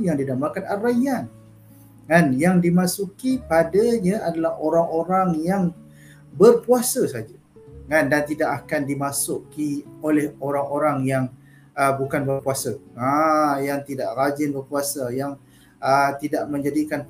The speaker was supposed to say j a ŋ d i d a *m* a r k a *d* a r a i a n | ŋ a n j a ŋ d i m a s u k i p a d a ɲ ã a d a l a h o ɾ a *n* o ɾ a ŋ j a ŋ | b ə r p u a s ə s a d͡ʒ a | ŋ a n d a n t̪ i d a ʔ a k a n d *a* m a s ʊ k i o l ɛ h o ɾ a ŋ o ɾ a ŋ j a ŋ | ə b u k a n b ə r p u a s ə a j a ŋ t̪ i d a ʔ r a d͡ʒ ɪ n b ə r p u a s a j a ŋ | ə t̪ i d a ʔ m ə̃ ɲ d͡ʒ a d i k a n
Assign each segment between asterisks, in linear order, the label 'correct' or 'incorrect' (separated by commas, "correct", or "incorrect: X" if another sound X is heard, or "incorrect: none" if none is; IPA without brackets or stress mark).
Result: correct, incorrect: n, incorrect: ŋ, incorrect: i